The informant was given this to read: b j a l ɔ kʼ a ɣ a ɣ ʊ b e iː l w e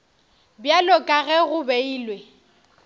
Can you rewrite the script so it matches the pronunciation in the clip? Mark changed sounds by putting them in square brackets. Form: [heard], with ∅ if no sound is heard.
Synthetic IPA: b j a l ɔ kʼ a ɣ [ɛ] ɣ ʊ b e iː l w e